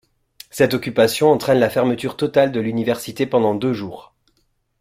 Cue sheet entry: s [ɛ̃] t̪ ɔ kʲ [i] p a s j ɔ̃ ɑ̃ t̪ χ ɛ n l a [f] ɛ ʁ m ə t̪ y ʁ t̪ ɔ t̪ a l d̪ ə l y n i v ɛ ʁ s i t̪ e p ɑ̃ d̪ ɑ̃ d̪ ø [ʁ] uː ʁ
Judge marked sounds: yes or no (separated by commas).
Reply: no, no, yes, no